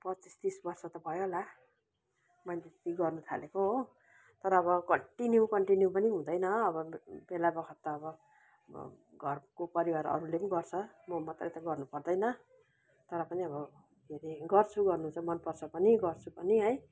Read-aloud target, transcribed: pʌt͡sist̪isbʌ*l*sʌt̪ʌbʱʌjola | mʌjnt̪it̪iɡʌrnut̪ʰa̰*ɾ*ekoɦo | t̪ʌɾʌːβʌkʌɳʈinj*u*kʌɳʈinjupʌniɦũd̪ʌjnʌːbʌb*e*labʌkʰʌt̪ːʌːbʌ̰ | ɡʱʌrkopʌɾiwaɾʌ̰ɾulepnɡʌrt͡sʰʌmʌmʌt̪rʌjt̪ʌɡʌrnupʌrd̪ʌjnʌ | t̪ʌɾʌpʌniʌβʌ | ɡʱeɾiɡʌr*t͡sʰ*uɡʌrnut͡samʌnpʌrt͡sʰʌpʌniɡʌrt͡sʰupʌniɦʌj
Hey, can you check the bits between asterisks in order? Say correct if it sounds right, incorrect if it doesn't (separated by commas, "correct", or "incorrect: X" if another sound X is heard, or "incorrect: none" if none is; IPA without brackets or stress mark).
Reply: incorrect: r, incorrect: l, correct, correct, correct